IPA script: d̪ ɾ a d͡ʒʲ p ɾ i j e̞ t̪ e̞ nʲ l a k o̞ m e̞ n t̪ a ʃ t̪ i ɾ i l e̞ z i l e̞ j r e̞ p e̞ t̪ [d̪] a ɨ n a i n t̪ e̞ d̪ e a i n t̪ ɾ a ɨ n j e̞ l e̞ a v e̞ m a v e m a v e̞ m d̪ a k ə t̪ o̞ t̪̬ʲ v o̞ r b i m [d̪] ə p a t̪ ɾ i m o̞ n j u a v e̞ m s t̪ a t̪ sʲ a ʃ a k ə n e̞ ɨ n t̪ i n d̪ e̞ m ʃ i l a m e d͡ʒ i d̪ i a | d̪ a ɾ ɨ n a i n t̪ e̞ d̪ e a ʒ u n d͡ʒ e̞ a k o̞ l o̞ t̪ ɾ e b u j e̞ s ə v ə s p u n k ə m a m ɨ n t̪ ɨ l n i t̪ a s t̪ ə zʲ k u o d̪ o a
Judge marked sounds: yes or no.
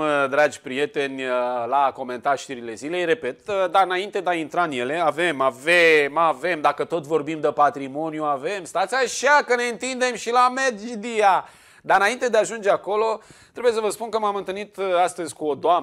yes, yes

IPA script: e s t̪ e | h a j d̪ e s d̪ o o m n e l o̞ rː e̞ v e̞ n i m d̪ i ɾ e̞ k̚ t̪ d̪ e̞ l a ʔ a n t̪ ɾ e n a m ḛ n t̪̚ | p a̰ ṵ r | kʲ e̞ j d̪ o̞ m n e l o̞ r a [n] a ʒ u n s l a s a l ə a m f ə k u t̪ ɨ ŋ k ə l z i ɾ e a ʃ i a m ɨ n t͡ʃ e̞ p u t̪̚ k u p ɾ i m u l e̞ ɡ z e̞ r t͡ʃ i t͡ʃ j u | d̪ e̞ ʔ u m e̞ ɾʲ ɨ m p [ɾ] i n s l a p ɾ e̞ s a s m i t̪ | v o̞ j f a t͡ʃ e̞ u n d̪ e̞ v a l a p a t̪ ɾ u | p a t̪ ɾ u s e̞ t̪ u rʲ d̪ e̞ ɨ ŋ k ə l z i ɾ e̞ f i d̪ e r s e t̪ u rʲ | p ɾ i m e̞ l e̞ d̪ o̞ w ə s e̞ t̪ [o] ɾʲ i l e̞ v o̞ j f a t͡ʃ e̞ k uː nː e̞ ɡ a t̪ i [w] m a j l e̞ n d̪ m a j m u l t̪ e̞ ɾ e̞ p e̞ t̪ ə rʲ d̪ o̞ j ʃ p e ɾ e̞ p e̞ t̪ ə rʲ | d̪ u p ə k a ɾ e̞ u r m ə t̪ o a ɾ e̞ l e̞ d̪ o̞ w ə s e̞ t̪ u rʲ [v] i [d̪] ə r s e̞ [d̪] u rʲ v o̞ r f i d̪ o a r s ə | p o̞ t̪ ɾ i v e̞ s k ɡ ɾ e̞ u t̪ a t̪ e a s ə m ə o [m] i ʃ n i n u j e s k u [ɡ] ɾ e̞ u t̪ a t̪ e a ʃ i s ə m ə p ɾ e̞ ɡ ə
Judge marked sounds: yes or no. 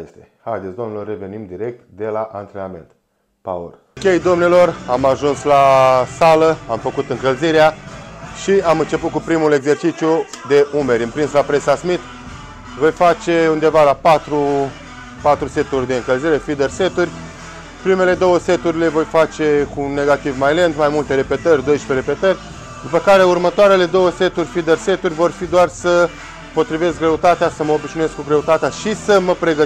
no, yes, no, no, no, yes, no, no, yes

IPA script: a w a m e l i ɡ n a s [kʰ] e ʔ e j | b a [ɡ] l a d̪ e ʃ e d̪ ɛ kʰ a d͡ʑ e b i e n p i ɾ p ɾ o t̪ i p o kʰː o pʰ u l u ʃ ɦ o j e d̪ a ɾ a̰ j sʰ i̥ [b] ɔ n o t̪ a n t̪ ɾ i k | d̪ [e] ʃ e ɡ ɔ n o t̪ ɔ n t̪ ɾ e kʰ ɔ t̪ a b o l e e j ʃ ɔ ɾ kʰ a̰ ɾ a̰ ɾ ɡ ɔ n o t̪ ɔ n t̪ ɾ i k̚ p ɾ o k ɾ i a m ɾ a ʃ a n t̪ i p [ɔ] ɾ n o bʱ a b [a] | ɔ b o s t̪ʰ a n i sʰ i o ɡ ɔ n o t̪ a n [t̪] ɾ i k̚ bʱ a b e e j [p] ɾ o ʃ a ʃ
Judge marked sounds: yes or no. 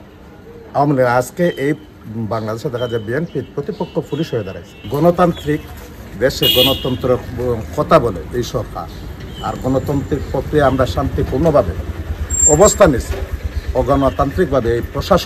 no, no, no, yes, no, no, yes, yes

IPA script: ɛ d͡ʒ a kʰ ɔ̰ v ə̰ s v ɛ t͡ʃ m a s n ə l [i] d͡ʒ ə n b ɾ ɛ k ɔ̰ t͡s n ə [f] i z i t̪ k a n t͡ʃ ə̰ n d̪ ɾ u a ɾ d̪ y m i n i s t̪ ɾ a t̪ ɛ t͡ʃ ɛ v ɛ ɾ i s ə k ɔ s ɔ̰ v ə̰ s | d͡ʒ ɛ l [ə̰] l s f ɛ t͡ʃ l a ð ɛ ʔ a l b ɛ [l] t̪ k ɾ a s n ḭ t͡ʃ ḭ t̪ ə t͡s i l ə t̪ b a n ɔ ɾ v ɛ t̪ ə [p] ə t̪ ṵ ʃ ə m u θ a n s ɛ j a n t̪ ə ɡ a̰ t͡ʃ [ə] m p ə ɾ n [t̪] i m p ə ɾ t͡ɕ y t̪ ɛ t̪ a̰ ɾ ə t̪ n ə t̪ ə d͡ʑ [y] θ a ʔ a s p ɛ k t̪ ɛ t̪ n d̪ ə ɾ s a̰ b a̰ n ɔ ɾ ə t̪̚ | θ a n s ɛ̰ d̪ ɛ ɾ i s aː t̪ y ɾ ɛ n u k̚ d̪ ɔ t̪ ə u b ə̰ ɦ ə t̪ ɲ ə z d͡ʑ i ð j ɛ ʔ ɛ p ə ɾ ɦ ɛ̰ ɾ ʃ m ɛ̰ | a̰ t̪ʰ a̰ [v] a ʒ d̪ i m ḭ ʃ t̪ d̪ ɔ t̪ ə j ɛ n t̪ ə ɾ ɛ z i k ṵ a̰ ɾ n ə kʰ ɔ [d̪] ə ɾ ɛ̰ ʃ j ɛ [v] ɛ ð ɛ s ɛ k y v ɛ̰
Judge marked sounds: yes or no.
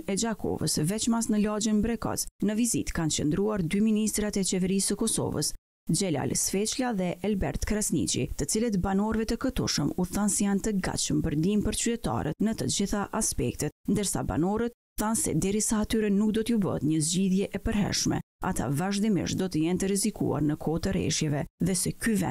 no, no, no, no, no, yes, no, no, yes, no, yes

